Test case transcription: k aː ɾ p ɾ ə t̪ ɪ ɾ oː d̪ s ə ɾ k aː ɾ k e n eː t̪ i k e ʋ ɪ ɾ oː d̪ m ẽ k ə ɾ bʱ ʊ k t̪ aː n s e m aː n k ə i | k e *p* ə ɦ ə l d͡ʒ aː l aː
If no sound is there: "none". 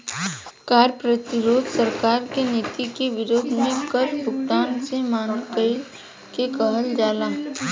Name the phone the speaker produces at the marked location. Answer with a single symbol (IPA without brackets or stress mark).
k